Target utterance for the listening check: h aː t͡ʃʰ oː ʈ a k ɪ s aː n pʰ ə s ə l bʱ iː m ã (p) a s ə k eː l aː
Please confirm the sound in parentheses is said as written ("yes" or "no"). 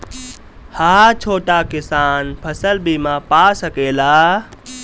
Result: yes